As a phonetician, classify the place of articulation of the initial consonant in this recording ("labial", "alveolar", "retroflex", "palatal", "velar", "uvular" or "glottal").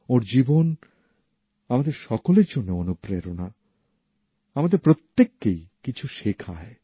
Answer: alveolar